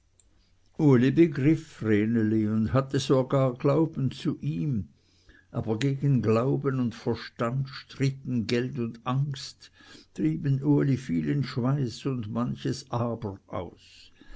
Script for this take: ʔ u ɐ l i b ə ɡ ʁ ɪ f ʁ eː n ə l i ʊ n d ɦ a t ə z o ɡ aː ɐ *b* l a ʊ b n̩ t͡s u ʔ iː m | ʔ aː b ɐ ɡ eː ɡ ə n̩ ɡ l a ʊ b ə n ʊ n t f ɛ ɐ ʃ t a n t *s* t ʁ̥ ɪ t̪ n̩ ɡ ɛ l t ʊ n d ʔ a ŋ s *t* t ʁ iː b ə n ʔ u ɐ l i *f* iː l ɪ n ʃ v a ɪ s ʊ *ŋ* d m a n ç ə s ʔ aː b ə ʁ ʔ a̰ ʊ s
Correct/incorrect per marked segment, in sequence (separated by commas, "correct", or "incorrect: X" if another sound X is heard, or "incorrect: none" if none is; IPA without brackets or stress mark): incorrect: ɡ, incorrect: ʃ, correct, correct, incorrect: n